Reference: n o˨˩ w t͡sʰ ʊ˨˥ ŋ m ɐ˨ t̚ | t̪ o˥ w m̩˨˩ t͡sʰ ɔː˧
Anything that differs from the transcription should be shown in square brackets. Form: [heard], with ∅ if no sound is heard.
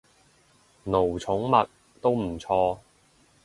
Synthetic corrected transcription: n o˨˩ w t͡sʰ ʊ˨˥ ŋ m ɐ˨ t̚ | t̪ o˥ w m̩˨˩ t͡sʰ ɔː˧